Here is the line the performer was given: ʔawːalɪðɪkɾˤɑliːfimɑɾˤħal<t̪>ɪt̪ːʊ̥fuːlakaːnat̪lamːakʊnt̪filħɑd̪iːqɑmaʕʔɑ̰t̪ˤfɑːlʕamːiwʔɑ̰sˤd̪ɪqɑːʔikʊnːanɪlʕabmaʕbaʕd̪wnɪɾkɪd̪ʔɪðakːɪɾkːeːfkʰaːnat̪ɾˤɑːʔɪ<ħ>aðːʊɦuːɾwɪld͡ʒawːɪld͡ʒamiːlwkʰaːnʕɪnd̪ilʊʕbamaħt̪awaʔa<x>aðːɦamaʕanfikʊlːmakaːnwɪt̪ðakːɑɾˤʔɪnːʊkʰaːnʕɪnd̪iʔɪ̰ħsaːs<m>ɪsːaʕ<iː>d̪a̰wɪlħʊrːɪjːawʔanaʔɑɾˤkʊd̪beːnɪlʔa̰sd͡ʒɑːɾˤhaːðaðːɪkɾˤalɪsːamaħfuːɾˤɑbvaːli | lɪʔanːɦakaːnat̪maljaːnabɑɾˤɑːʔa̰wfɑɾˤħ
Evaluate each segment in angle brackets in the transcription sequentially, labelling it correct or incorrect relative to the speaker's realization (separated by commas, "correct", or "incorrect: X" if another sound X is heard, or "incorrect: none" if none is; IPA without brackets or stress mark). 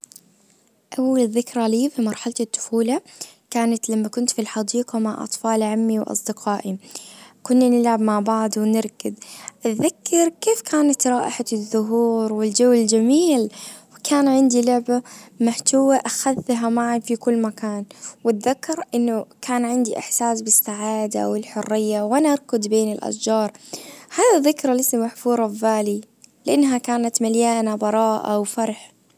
correct, correct, correct, incorrect: b, incorrect: aː